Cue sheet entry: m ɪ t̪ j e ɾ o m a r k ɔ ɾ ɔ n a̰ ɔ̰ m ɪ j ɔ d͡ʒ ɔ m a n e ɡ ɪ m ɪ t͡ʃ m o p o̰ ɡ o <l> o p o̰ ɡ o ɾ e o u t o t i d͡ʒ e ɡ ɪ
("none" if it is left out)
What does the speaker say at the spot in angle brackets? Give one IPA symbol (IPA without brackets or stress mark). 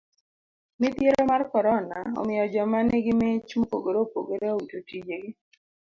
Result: ɾ